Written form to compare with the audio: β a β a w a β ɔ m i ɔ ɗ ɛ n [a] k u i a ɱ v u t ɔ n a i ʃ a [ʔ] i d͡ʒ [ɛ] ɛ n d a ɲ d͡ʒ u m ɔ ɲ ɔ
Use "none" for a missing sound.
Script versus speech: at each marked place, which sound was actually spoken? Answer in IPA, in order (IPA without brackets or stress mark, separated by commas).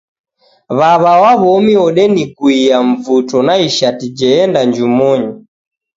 i, t, ɛ